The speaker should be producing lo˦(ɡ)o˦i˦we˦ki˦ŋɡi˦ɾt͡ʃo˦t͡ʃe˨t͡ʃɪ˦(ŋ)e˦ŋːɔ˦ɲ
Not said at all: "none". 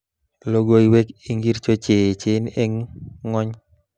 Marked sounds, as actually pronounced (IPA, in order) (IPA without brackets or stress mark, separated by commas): ɡ, n